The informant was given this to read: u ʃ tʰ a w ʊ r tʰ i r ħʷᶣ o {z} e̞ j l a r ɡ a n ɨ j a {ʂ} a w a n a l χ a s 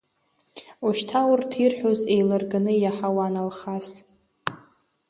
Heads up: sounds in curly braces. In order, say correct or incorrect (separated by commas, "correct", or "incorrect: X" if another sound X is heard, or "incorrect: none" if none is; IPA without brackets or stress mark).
correct, incorrect: ħ